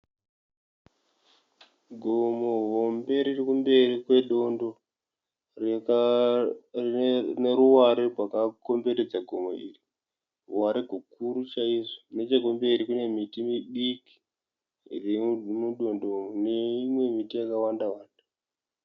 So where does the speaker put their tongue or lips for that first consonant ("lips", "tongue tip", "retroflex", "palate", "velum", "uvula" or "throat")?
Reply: velum